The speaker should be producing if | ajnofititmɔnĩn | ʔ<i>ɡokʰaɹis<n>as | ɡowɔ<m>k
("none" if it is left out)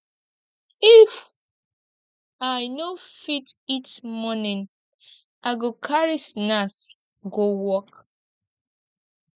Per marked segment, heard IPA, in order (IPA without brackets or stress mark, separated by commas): a, n, none